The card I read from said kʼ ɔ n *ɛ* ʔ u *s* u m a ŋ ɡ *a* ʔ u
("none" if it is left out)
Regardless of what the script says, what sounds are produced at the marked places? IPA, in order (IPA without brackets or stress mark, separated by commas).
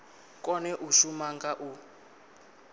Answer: ɛ, ʃ, a